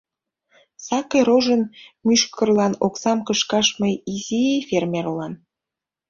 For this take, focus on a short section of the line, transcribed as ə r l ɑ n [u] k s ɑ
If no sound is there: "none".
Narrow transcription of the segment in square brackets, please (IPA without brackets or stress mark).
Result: o